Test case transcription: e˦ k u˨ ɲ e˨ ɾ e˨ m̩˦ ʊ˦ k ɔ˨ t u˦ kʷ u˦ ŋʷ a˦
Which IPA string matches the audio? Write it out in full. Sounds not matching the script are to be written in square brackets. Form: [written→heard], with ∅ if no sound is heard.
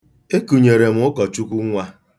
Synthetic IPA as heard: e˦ k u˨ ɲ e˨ ɾ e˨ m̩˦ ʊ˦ k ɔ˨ [t→t͡ʃ] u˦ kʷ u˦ ŋʷ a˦

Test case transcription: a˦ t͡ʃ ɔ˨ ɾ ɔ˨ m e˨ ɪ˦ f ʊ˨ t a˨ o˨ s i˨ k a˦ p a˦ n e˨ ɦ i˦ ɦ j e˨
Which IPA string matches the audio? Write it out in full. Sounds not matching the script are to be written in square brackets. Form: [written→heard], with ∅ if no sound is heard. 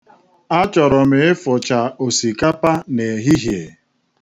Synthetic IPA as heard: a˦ t͡ʃ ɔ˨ ɾ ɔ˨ m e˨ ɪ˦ f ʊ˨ [t→t͡ʃ] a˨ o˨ s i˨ k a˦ p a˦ n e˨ ɦ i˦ ɦ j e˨

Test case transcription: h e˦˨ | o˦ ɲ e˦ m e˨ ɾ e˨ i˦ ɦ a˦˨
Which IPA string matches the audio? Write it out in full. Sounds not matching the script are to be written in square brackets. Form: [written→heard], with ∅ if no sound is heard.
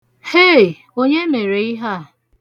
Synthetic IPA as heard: h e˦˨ | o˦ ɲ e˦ m e˨ ɾ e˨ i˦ ɦ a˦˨

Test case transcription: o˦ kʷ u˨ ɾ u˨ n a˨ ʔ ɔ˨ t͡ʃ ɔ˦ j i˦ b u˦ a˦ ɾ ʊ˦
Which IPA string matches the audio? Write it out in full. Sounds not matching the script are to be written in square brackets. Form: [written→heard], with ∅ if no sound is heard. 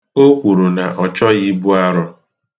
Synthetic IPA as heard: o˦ kʷ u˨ ɾ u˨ n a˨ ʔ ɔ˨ t͡ʃ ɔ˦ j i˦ b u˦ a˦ ɾ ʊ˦

